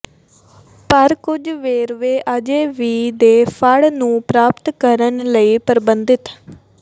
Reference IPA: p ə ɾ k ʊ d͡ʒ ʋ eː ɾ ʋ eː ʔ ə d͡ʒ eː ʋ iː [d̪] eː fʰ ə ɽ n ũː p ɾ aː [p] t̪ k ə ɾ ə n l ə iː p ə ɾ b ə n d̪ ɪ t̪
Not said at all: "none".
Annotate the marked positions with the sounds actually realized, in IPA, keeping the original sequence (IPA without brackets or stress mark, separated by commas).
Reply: d̪, p